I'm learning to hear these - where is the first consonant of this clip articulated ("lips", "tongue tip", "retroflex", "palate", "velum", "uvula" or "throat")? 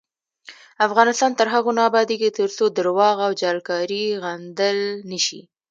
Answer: lips